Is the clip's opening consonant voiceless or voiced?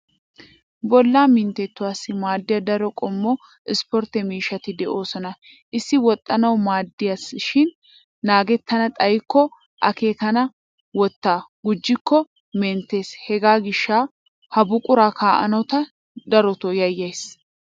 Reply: voiced